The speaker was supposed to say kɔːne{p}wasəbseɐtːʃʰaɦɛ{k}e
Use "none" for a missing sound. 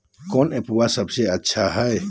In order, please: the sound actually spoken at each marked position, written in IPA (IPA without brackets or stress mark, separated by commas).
p, none